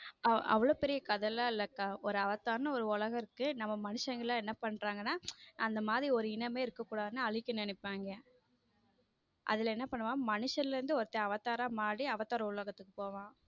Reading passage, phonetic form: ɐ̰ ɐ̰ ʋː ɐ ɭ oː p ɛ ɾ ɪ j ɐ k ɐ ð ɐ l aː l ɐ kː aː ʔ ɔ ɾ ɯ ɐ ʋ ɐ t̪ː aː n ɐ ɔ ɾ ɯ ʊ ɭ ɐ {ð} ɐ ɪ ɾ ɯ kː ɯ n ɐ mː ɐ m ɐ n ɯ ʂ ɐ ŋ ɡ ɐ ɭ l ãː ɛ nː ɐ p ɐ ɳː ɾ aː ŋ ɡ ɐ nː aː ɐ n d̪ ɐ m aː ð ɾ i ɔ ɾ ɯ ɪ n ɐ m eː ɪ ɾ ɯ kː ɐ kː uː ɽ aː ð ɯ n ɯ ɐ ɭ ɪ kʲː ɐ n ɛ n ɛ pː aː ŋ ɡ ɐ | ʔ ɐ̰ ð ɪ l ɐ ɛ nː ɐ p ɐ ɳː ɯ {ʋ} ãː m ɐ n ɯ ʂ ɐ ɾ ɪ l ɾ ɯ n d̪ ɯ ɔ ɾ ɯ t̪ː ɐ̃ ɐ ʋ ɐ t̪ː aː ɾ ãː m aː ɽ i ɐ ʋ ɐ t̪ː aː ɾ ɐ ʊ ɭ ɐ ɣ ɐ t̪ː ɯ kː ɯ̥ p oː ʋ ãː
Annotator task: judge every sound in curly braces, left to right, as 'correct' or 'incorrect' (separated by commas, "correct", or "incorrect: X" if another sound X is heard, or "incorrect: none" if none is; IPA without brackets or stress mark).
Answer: incorrect: ɣ, correct